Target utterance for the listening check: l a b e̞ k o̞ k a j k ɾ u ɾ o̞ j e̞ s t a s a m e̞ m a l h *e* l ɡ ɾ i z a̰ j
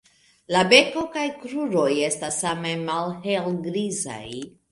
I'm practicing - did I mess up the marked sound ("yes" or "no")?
no